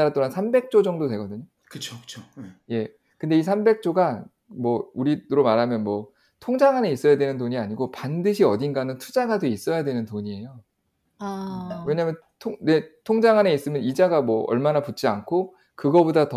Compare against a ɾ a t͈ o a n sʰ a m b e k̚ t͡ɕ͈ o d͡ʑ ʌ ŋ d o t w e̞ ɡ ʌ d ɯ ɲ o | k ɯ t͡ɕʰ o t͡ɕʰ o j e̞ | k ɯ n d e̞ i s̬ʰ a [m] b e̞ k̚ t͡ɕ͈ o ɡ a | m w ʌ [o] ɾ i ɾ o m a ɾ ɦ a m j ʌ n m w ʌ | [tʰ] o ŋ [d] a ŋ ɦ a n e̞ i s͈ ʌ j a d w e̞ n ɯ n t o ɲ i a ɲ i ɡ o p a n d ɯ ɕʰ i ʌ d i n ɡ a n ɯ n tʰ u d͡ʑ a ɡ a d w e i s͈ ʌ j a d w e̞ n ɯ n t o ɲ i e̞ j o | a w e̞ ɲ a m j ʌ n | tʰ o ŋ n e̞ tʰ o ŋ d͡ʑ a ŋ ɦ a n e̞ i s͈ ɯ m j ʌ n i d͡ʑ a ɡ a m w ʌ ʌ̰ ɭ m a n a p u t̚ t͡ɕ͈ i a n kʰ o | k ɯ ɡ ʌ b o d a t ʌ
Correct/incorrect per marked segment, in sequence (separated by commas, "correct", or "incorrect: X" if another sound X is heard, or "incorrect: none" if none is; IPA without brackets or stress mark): correct, incorrect: u, correct, incorrect: d͡ʑ